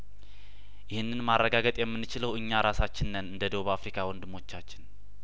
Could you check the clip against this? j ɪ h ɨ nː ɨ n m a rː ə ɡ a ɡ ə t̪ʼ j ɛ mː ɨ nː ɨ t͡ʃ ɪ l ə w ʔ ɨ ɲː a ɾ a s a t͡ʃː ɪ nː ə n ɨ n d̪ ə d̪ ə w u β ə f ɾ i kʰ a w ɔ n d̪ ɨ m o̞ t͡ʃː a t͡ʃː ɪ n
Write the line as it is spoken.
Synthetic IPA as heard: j ɪ h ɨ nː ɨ n m a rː ə ɡ a ɡ ə t̪ʼ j ɛ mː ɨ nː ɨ t͡ʃ ɪ l ə w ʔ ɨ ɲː a ɾ a s a t͡ʃː ɪ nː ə n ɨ n d̪ ə d̪ ə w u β a f ɾ i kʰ a w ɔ n d̪ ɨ m o̞ t͡ʃː a t͡ʃː ɪ n